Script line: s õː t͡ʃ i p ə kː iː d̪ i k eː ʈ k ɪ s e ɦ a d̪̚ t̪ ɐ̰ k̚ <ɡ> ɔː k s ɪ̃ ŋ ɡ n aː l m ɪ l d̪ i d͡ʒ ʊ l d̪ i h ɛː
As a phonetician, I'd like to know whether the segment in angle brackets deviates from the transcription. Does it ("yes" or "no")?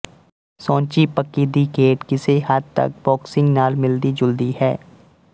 yes